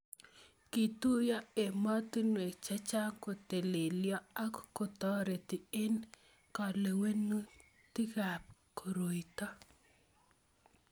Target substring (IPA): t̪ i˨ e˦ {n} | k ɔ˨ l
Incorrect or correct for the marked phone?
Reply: correct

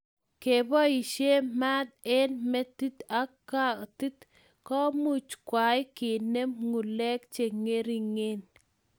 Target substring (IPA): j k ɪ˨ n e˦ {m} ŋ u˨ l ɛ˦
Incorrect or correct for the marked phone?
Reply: correct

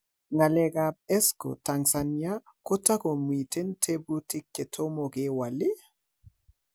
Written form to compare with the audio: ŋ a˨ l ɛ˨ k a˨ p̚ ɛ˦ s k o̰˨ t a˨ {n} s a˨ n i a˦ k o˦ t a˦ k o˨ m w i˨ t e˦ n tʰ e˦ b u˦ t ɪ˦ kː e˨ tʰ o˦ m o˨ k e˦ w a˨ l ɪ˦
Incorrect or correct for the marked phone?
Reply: incorrect: ŋ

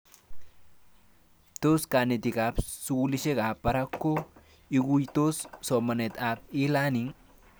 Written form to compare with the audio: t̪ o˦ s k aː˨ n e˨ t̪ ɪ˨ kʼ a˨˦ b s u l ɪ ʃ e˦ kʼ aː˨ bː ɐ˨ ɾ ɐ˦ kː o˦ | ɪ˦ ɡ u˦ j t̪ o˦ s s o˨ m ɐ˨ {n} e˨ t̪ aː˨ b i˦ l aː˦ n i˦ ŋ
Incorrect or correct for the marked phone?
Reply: correct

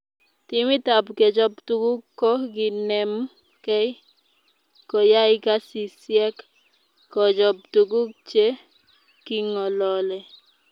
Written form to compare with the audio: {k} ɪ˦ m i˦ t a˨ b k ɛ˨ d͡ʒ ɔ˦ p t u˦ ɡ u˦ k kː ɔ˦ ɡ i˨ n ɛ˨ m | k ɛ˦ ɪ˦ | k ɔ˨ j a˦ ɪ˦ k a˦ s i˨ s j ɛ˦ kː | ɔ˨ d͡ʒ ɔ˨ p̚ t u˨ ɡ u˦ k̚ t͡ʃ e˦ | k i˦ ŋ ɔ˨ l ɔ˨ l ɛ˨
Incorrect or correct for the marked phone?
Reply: incorrect: t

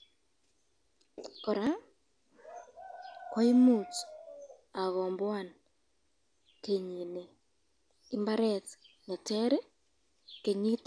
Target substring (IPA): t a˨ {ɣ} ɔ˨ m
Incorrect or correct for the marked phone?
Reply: correct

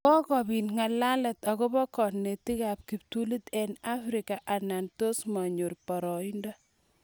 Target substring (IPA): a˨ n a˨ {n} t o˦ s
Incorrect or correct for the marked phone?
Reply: correct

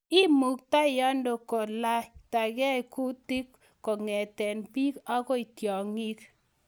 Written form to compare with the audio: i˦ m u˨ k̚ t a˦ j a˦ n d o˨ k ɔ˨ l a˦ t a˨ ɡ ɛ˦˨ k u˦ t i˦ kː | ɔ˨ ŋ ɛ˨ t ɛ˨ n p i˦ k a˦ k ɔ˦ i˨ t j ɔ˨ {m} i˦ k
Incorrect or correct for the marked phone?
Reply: incorrect: ŋ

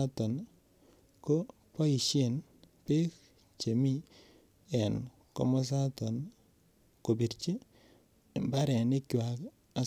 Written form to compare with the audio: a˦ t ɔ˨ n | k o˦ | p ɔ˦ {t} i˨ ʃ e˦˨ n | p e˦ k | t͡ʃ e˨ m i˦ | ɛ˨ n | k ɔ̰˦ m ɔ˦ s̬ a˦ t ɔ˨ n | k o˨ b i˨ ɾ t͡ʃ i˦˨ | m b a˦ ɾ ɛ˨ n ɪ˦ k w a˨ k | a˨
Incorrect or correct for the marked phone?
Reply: incorrect: none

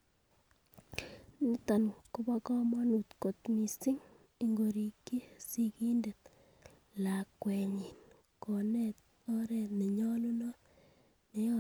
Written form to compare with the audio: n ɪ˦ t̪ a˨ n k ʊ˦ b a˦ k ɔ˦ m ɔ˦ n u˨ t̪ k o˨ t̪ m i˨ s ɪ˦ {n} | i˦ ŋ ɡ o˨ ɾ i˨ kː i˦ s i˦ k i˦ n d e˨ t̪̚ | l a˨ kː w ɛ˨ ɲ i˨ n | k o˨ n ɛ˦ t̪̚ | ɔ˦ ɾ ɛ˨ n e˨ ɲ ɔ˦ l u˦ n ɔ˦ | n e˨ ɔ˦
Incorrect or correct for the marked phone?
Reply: incorrect: ŋ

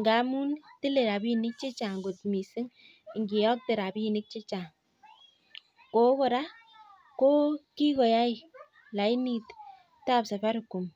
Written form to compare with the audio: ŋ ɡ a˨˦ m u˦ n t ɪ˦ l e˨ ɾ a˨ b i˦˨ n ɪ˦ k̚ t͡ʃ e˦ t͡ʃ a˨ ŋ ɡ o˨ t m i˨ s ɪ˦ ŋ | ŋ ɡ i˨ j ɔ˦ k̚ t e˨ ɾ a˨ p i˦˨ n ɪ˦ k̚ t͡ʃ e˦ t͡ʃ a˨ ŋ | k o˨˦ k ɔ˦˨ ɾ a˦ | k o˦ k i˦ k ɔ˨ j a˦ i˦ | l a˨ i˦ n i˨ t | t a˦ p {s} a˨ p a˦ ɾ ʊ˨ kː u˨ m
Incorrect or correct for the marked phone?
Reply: correct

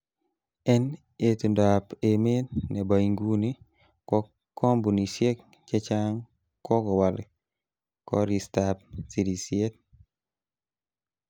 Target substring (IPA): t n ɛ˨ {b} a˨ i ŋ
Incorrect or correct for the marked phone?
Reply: correct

